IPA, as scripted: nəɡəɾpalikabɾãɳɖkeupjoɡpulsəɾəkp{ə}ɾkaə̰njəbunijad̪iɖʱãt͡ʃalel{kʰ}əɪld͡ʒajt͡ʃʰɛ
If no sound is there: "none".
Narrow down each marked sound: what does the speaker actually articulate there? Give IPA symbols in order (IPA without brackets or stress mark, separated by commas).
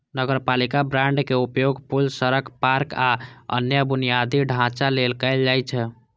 a, k